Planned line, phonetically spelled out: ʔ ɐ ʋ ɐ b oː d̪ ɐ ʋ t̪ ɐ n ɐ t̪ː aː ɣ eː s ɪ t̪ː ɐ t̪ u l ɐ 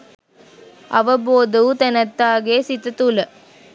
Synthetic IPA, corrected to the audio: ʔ ɐ ʋ ɐ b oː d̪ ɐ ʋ t̪ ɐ n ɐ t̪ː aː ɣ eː s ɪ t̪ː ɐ t̪ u l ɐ